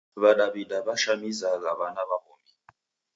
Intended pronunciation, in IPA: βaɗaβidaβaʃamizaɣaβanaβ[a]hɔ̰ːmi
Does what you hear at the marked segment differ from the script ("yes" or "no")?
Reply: no